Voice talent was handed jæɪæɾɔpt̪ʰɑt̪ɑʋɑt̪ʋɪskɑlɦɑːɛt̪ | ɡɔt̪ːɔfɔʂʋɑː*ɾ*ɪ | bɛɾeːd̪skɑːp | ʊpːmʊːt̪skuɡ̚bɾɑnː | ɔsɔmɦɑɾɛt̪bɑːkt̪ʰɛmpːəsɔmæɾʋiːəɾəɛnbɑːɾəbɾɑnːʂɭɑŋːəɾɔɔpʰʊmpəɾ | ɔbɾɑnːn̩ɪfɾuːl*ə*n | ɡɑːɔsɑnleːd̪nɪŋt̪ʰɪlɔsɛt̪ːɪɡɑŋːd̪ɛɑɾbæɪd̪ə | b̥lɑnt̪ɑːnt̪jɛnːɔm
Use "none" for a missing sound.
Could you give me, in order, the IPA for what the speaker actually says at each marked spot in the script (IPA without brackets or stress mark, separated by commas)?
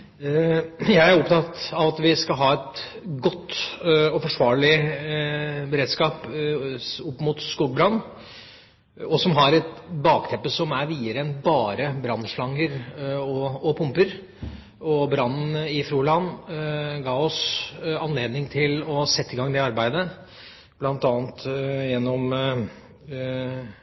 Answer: ɭ, ɑ